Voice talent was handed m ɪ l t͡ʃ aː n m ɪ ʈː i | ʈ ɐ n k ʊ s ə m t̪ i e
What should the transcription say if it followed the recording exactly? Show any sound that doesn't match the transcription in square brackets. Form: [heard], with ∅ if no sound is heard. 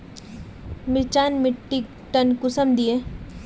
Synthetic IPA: m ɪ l t͡ʃ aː n m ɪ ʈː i | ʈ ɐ n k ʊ s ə m [d̪] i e